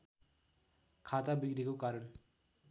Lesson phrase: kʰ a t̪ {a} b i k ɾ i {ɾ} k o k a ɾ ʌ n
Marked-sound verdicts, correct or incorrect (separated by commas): correct, incorrect